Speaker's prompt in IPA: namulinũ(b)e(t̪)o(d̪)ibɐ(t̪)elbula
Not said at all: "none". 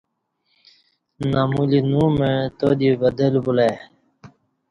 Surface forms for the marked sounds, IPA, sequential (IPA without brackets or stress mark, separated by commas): m, t̪, d̪, d̪